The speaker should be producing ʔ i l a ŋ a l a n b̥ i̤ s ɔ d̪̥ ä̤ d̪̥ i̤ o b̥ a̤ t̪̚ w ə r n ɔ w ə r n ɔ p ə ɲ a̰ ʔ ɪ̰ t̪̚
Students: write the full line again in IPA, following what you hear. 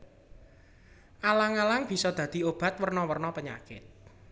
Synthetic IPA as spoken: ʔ a l a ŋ a l a ŋ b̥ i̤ s ɔ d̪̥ ä̤ d̪̥ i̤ o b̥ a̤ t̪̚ w ə r n ɔ w ə r n ɔ p ə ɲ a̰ k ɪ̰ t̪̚